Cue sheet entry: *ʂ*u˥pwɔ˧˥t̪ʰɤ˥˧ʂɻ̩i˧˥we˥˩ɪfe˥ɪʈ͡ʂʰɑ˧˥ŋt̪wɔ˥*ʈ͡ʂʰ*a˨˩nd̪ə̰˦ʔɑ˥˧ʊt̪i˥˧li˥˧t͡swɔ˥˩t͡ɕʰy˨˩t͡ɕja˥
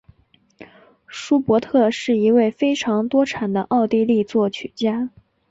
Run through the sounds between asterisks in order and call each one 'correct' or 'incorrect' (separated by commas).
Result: correct, correct